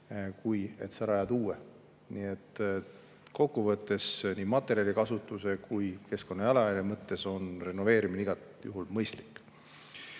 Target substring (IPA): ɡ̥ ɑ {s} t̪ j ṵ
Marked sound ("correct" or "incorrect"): incorrect